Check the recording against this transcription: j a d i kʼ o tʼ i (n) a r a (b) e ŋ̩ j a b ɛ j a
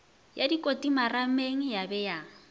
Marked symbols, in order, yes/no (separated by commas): no, no